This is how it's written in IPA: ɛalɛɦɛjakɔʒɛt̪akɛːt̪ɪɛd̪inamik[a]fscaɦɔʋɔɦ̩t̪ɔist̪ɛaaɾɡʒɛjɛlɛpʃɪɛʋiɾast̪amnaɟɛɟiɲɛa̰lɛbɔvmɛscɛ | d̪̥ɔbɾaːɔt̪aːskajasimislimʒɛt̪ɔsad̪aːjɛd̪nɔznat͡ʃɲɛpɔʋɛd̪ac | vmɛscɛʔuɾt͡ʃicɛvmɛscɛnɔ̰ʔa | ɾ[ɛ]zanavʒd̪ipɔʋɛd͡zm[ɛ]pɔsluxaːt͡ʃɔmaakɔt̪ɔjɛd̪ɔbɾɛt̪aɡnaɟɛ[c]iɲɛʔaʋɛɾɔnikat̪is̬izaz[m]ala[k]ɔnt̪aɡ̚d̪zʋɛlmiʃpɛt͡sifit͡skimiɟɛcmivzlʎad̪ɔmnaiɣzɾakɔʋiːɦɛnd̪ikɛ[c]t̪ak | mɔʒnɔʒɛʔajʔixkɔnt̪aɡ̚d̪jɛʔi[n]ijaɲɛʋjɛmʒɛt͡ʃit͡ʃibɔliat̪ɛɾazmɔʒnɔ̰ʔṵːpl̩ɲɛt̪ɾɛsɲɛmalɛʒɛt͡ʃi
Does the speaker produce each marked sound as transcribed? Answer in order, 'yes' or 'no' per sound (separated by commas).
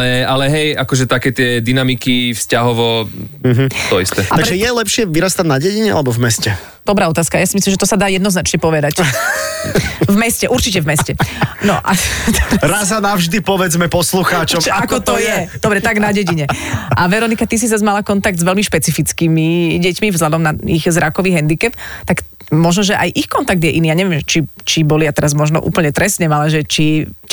no, no, yes, no, yes, yes, no, yes